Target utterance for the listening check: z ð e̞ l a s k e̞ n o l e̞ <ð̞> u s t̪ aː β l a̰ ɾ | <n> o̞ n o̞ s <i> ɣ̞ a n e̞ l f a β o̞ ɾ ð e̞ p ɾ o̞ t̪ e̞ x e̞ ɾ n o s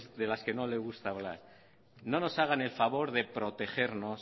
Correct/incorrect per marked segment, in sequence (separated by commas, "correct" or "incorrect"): incorrect, correct, incorrect